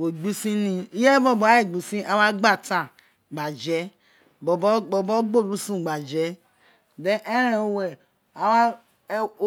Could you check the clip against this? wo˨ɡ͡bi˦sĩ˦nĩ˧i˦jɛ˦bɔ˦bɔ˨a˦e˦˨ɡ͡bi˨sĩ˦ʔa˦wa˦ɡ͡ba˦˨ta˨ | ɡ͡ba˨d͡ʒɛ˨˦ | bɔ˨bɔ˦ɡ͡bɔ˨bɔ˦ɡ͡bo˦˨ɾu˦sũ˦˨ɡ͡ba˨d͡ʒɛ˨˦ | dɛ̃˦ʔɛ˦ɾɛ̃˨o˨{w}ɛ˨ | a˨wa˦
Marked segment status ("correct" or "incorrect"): correct